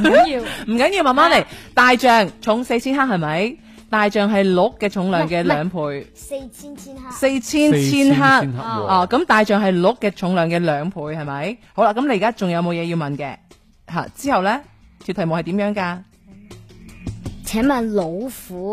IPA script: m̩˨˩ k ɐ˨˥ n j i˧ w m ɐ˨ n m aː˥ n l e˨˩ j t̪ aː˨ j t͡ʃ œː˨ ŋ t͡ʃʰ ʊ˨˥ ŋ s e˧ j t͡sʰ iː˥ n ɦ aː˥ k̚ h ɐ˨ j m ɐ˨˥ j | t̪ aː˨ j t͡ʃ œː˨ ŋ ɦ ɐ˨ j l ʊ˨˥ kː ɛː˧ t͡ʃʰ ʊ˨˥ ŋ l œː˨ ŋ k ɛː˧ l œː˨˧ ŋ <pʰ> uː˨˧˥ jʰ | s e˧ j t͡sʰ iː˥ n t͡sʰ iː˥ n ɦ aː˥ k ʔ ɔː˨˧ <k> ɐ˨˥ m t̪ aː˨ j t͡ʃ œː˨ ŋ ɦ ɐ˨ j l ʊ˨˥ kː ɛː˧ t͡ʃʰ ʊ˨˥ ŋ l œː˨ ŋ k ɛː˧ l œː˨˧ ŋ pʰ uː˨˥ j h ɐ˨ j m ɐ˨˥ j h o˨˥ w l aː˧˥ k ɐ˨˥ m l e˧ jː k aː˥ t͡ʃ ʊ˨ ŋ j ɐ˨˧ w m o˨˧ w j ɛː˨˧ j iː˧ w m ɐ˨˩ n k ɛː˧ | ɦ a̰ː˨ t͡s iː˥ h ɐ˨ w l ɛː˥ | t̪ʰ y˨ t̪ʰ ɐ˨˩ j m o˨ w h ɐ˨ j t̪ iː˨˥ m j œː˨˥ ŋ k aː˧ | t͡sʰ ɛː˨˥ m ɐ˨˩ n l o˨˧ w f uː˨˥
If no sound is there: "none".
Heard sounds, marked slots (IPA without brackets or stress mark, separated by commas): pʰ, k